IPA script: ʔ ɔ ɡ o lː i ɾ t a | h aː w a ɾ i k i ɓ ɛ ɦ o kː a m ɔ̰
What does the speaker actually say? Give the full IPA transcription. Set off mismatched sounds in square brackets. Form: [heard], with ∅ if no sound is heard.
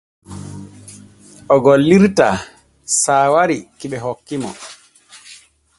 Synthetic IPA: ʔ ɔ ɡ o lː i ɾ t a | [s] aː w a ɾ i k i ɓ ɛ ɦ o kː [i] m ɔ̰